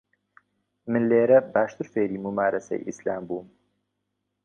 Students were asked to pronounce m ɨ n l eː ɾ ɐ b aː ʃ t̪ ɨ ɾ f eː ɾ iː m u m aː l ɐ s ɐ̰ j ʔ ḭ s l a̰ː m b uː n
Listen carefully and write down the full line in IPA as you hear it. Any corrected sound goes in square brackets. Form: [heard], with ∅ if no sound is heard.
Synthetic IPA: m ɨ n l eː ɾ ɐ b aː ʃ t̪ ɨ ɾ f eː ɾ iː m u m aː [ɾ] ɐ s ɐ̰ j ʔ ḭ s l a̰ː m b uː [m]